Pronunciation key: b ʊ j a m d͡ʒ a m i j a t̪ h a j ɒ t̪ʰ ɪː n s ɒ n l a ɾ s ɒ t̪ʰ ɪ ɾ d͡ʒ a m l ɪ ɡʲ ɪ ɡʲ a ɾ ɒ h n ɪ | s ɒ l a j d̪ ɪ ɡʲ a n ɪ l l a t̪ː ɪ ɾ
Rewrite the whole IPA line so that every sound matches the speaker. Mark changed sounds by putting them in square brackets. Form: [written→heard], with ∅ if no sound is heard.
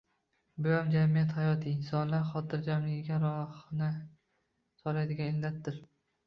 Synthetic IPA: b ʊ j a m d͡ʒ a m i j a t̪ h a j ɒ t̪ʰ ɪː n s ɒ n l a ɾ [s→χ] ɒ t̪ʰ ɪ ɾ d͡ʒ a m l ɪ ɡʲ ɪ ɡʲ a ɾ ɒ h n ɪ | s ɒ l a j d̪ ɪ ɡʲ a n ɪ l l a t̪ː ɪ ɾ

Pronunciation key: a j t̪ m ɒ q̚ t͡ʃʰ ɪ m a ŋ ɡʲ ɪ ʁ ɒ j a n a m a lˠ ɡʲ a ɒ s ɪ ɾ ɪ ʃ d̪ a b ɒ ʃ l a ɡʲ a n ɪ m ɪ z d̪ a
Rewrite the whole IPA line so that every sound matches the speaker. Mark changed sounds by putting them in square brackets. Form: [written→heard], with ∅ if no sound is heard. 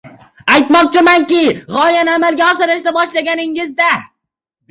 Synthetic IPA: a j t̪ m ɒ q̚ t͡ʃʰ ɪ m a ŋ [ɡʲ→kʲ] ɪ ʁ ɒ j a n a m a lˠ ɡʲ a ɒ s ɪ ɾ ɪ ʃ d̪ a b ɒ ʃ l a ɡʲ a n ɪ [m→ŋ] ɪ z d̪ a

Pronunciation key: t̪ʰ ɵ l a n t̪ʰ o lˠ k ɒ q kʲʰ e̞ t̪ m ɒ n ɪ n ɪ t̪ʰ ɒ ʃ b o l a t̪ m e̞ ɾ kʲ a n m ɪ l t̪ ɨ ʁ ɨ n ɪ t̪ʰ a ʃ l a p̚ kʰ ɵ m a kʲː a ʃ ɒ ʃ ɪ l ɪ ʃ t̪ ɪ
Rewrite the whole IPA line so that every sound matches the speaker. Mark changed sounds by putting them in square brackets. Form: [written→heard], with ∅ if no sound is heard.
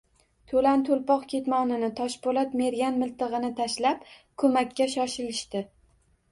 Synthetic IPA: t̪ʰ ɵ l a n t̪ʰ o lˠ [k→p] ɒ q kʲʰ e̞ t̪ m ɒ n ɪ n ɪ t̪ʰ ɒ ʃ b o l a t̪ m e̞ ɾ [kʲ→ɡʲ] a n m ɪ l t̪ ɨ ʁ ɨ n ɪ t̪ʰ a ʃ l a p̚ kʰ ɵ m a kʲː a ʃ ɒ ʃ ɪ l ɪ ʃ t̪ ɪ

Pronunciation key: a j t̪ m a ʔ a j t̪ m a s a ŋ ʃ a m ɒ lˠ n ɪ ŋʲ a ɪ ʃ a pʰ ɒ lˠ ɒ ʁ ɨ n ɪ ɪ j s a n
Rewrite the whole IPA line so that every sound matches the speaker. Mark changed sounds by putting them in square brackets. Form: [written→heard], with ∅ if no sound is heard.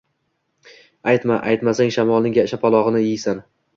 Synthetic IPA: a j t̪ m a ʔ a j t̪ m a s a ŋ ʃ a m ɒ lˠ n ɪ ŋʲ a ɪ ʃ a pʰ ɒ lˠ ɒ ʁ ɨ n ɪ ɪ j s a n

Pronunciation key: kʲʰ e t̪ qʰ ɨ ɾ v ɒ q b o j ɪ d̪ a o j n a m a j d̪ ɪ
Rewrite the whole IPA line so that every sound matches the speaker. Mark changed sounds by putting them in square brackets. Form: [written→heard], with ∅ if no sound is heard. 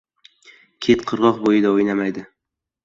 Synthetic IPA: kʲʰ e t̪ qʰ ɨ ɾ [v→ʁ] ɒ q b o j ɪ d̪ a o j n a m a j d̪ ɪ

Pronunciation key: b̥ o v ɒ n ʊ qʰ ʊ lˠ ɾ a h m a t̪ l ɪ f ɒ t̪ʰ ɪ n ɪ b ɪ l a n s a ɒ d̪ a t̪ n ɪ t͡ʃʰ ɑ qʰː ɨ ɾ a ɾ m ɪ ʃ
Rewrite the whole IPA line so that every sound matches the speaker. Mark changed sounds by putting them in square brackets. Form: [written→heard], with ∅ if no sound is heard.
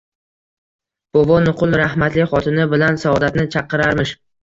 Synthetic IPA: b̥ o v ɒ n ʊ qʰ ʊ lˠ ɾ a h m a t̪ l ɪ [f→χ] ɒ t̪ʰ ɪ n ɪ b ɪ l a n s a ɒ d̪ a t̪ n ɪ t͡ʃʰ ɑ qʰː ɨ ɾ a ɾ m ɪ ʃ

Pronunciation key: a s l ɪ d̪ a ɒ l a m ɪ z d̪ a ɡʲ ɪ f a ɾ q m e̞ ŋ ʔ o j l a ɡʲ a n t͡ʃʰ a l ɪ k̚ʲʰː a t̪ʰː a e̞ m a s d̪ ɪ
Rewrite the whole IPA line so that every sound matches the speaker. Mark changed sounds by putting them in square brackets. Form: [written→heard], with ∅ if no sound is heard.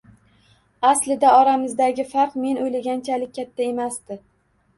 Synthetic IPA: a s l ɪ d̪ a ɒ [l→ɾ] a m ɪ z d̪ a ɡʲ ɪ f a ɾ q m e̞ [ŋ→n] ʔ o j l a ɡʲ a n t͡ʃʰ a l ɪ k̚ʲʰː a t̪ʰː a e̞ m a s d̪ ɪ

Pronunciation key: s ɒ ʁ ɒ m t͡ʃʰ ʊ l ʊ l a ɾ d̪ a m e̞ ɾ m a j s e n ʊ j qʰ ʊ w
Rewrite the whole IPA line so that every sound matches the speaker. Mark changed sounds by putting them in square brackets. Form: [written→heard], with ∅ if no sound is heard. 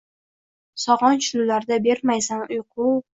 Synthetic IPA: s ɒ ʁ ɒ [m→n] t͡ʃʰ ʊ l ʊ l a ɾ d̪ a [m→b] e̞ ɾ m a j s [e→a] n ʊ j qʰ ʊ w

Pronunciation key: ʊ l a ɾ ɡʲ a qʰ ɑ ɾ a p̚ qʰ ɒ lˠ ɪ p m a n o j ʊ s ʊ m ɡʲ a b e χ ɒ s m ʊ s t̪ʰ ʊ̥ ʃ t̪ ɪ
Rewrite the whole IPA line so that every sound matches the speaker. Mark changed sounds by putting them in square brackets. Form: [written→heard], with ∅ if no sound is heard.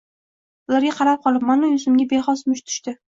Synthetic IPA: ʊ l a ɾ ɡʲ a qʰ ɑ ɾ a p̚ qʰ ɒ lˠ ɪ p m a n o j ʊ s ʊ m ɡʲ a b e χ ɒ s m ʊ [s→ʃ] t̪ʰ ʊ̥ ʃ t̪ ɪ

